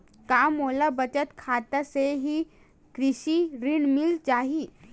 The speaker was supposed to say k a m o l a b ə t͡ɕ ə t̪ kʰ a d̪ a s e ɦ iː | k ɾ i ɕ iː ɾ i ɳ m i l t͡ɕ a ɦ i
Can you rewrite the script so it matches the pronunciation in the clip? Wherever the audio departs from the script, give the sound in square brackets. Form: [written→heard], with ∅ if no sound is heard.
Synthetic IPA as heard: k a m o l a b ə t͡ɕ ə t̪ kʰ a [d̪→t̪] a s e ɦ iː | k ɾ i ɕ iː ɾ i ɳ m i l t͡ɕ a ɦ i